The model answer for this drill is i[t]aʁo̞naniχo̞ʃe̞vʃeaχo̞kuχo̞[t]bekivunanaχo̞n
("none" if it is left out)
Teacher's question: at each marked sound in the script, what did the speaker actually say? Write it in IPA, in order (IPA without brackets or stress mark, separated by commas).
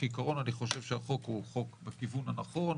k, k